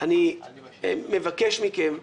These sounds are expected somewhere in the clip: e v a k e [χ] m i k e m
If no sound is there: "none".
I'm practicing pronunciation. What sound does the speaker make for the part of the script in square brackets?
ʃ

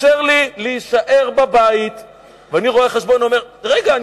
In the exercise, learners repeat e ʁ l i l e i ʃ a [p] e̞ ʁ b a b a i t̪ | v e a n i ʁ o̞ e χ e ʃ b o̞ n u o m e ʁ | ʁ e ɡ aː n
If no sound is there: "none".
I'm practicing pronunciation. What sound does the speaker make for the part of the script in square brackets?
ʔ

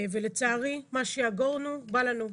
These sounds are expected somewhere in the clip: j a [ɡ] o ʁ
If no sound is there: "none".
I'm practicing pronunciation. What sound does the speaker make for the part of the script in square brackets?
ɡ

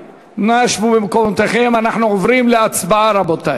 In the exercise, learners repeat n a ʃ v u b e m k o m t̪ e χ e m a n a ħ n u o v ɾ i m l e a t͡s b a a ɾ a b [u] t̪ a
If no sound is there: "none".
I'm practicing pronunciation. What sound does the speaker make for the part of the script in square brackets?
o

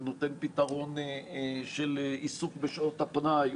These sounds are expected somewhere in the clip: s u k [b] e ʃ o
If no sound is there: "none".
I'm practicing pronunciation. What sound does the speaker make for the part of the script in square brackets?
b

